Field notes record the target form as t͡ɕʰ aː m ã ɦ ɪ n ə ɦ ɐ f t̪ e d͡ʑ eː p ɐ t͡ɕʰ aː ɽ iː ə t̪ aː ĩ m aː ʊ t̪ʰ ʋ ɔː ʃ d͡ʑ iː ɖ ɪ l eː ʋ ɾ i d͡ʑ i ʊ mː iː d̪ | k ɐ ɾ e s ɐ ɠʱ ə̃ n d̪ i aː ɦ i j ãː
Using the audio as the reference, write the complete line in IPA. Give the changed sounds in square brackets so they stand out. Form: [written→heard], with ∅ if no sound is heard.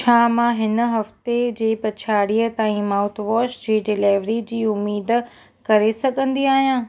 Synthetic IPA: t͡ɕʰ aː m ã ɦ ɪ n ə ɦ ɐ f t̪ e d͡ʑ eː p ɐ t͡ɕʰ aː ɽ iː ə t̪ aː ĩ m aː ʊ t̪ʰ ʋ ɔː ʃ d͡ʑ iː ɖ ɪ l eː ʋ ɾ i d͡ʑ [i→iː] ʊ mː iː d̪ | k ɐ ɾ e s ɐ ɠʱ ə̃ n d̪ i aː ɦ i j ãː